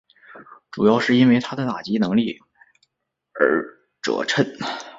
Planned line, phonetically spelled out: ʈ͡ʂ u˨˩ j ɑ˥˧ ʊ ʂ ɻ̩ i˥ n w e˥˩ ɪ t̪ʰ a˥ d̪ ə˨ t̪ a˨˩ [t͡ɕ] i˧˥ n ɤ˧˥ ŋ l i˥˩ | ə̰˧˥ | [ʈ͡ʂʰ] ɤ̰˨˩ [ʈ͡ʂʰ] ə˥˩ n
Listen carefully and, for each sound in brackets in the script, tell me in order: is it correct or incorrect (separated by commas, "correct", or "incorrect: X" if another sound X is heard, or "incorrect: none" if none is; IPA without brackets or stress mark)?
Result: correct, incorrect: ʈ͡ʂ, correct